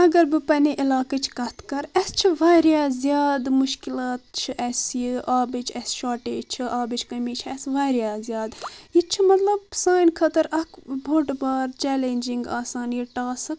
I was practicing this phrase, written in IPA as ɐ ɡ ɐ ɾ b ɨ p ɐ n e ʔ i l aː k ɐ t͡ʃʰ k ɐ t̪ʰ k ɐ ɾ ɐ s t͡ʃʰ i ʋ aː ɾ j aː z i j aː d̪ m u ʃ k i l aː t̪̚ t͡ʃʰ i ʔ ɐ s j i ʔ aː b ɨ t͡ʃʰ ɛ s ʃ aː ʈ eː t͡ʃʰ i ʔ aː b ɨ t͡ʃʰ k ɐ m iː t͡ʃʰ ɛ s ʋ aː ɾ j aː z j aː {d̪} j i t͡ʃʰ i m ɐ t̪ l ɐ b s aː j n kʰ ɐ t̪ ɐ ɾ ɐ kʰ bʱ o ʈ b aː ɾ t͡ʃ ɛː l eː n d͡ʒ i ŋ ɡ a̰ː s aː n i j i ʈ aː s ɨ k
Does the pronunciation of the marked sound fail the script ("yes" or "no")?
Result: no